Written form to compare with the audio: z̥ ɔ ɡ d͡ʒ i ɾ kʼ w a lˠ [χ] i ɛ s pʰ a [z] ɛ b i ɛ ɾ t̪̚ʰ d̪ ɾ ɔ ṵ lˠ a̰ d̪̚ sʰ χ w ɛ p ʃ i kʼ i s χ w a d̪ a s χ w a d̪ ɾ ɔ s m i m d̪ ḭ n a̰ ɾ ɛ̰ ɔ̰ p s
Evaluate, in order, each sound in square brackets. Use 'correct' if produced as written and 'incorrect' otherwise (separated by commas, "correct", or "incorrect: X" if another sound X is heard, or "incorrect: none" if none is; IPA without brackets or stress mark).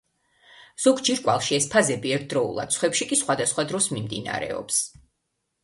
incorrect: ʃ, correct